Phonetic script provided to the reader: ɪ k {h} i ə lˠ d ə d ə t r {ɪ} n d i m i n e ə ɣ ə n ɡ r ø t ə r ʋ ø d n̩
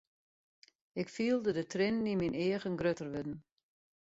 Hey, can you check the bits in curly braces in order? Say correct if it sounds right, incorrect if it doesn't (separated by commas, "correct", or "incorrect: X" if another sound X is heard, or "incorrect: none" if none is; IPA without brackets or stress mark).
incorrect: f, correct